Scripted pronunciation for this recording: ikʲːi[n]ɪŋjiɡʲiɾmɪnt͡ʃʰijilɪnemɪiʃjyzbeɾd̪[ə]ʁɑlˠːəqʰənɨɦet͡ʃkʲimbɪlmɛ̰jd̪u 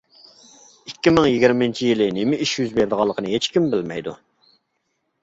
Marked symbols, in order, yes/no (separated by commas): no, yes